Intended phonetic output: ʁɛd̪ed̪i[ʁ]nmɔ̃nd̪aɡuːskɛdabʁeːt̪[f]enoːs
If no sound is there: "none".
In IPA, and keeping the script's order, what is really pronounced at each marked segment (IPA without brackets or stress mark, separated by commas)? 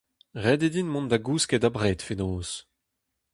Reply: none, f